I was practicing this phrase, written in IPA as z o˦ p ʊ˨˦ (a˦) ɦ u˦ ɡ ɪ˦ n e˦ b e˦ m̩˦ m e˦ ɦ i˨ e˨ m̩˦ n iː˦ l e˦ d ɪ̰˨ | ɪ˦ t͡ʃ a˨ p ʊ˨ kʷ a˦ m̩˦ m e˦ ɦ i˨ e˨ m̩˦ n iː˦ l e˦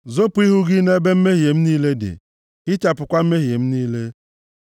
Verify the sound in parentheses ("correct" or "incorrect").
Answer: incorrect